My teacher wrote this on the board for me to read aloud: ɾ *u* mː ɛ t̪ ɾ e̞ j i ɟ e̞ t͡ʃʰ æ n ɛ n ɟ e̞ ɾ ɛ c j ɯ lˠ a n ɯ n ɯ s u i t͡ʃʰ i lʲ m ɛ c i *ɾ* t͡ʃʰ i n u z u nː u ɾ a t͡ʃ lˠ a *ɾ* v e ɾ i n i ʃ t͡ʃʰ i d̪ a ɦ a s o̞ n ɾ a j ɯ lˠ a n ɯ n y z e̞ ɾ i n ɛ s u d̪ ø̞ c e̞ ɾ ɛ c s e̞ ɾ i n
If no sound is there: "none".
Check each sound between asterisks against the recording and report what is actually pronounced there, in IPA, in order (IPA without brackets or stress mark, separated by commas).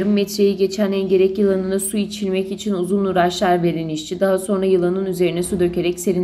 ɯ, none, ɾ